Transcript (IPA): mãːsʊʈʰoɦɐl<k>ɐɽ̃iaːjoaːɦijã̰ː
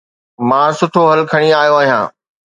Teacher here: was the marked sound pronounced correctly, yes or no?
no